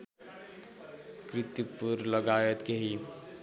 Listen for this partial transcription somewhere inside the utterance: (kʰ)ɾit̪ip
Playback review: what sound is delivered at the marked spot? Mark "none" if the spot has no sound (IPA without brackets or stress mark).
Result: k